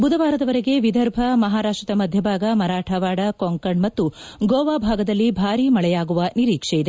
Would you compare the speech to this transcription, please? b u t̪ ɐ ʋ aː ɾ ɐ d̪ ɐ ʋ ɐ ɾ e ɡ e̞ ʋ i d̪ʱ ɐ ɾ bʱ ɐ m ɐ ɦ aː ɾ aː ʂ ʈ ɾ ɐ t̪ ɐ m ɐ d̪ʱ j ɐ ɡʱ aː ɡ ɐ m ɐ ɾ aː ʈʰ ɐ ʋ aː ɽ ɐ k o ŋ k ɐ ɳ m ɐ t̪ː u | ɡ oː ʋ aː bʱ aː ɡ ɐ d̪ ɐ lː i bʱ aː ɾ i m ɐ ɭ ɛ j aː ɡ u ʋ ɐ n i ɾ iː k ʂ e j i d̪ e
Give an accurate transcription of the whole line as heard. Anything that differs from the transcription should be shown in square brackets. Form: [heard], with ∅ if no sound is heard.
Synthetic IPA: b u [d̪] ɐ ʋ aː ɾ ɐ d̪ ɐ ʋ ɐ ɾ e ɡ e̞ ʋ i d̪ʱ ɐ ɾ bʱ ɐ m ɐ ɦ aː ɾ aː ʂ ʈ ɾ ɐ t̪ ɐ m ɐ d̪ʱ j ɐ [bʱ] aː ɡ ɐ m ɐ ɾ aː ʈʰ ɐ ʋ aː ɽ ɐ k o ŋ k ɐ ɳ m ɐ t̪ː u | ɡ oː ʋ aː bʱ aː ɡ ɐ d̪ ɐ lː i bʱ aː ɾ i m ɐ ɭ ɛ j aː ɡ u ʋ ɐ n i ɾ iː k ʂ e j i d̪ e